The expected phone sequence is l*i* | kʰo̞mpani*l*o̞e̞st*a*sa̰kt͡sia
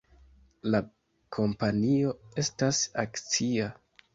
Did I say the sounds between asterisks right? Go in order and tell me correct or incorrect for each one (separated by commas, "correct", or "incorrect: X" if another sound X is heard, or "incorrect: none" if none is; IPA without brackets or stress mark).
incorrect: a, incorrect: none, correct